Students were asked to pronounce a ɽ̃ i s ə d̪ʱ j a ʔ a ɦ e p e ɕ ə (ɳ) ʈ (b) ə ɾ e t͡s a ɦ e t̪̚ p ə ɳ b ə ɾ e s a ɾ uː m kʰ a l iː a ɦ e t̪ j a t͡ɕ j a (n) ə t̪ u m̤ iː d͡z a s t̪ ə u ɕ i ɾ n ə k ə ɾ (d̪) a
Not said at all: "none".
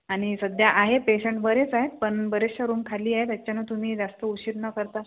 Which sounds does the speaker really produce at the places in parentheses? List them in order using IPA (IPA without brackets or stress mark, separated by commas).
ɳ, b, n, t̪